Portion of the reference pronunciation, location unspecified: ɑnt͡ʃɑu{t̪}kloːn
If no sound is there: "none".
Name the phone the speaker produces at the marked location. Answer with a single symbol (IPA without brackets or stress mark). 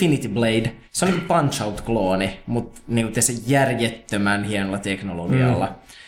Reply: t̪